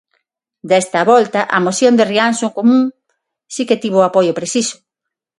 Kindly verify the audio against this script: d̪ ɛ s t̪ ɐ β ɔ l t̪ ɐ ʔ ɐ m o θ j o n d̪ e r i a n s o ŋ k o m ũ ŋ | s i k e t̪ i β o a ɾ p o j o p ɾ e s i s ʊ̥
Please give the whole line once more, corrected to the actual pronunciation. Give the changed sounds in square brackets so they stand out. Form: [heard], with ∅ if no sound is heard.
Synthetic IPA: d̪ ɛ s t̪ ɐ β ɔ l t̪ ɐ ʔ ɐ m o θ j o n d̪ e r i a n s o ŋ k o m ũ ŋ | s i k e t̪ i β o a [∅] p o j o p ɾ e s i s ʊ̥